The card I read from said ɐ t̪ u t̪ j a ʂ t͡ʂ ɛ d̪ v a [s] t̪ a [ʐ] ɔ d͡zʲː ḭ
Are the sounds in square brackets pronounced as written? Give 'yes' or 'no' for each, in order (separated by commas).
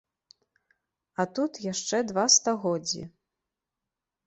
yes, no